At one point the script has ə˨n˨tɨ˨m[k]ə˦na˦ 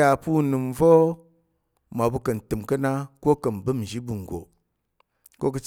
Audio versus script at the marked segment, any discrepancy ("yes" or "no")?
no